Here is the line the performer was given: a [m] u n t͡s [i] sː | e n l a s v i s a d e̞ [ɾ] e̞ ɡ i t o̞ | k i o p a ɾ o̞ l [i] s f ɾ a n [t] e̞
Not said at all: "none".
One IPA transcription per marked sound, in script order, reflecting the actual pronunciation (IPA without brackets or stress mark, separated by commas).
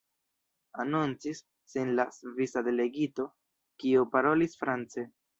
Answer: n, i, l, i, t͡s